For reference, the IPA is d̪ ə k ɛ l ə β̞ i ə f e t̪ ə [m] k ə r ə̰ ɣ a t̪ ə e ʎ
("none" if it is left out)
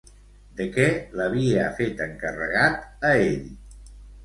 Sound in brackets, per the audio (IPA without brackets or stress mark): ŋ